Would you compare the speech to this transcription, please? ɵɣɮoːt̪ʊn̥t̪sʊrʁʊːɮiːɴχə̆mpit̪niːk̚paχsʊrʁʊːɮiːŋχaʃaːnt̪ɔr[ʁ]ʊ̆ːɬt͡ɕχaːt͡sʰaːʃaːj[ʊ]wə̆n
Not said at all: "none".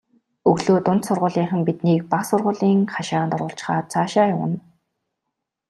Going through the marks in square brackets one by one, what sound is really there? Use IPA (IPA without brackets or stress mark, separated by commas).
ʁ, ʊ